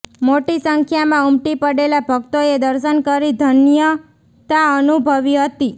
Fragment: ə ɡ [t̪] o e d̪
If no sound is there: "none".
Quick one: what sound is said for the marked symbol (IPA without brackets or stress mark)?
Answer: t̪